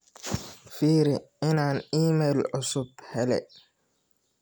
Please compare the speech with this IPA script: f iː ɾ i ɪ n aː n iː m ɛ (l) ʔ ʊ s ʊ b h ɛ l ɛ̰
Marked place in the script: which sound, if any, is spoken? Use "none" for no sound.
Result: l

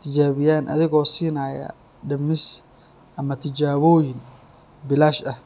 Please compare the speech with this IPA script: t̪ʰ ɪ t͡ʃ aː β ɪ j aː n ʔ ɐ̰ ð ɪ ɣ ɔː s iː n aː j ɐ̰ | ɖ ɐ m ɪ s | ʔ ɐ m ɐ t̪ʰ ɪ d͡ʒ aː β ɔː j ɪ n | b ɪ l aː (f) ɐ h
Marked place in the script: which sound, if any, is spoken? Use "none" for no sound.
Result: ʃ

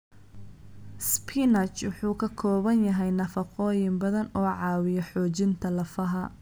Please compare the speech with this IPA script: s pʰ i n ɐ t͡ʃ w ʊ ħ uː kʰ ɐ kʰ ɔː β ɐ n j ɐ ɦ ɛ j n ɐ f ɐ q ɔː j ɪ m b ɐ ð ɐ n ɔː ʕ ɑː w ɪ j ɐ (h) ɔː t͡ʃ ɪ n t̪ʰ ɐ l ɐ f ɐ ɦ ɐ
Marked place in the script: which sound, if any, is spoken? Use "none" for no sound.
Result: ħ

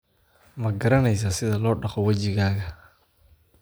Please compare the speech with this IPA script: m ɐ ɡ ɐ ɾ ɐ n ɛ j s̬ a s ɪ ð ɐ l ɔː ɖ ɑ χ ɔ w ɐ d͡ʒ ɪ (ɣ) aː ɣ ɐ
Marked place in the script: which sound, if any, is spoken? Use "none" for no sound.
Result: ɣ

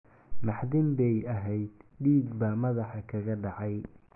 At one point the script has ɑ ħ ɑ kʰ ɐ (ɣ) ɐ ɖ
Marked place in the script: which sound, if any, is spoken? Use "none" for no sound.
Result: ɣ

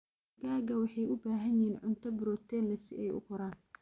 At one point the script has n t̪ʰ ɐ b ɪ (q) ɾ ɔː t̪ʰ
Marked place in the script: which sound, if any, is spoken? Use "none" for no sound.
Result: none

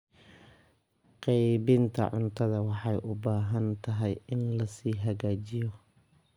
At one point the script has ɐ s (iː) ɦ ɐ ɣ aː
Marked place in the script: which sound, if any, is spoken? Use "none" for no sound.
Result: iː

